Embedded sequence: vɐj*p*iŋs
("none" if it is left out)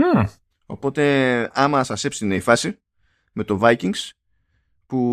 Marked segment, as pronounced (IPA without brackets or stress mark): c